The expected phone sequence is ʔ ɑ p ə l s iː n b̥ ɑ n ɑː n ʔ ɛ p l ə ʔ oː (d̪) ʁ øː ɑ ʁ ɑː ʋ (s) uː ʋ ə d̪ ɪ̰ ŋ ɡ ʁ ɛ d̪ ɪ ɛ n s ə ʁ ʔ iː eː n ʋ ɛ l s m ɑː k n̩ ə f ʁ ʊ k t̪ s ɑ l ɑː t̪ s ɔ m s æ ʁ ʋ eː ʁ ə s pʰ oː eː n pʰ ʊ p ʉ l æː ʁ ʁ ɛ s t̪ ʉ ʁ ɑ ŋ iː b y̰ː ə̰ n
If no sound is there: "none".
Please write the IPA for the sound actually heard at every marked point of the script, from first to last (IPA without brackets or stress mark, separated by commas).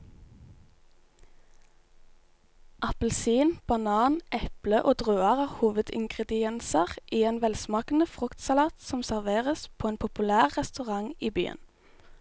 d̪, h